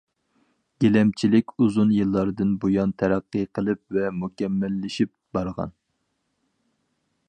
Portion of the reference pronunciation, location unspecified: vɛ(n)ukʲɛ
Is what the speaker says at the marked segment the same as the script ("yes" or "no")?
no